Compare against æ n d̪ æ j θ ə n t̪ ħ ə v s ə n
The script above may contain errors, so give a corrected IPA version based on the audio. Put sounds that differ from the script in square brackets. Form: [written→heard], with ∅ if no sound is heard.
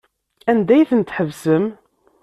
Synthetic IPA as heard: æ n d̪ æ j θ ə n t̪ ħ ə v s ə [n→m]